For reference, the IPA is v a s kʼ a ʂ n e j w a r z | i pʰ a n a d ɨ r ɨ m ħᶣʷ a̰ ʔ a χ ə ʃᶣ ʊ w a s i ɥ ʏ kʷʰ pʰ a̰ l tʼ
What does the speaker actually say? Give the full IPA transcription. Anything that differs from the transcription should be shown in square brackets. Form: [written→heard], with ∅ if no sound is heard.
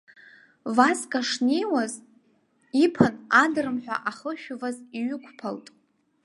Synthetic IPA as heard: v a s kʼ a ʂ n e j w a [r→∅] z | i pʰ a n a d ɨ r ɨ m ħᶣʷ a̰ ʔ a χ ə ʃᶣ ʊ [w→v] a [s→z] i ɥ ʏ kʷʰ pʰ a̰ l tʼ